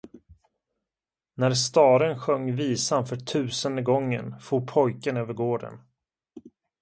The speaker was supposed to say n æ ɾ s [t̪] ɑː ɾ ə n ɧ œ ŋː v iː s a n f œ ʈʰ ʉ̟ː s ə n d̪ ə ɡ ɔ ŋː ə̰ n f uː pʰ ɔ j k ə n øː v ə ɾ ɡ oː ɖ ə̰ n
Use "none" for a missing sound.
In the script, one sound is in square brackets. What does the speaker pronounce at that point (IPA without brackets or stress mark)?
t̪